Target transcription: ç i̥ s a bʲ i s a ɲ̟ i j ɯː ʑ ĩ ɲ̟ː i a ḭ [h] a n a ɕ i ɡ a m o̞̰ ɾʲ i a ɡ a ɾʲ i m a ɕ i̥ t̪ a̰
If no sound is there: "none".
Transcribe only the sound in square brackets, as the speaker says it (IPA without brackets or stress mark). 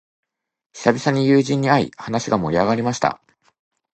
h